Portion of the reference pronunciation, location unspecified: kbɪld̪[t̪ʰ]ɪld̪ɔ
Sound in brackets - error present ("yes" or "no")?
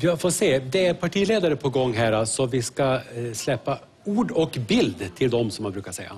no